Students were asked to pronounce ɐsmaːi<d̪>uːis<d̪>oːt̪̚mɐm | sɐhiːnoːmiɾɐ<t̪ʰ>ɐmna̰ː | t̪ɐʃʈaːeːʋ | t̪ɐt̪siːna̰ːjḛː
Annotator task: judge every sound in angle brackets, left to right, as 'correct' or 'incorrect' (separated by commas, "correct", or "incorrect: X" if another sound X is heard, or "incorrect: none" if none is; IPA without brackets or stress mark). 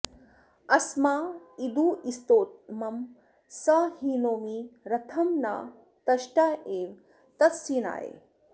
correct, incorrect: t̪, correct